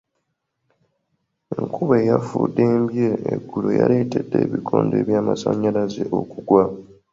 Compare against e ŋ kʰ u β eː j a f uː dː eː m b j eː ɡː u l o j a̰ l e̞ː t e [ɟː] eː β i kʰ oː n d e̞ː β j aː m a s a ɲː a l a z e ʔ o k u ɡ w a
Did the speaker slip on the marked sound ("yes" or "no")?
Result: yes